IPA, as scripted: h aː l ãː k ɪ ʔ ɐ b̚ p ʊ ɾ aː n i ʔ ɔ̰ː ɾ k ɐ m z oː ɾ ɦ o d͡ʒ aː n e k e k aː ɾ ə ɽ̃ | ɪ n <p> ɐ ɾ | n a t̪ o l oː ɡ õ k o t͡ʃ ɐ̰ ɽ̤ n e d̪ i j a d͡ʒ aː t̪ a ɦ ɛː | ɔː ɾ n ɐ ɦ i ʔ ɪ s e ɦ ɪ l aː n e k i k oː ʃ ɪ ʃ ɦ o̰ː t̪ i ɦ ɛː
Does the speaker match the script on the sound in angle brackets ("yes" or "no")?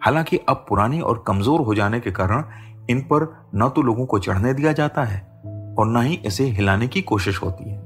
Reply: yes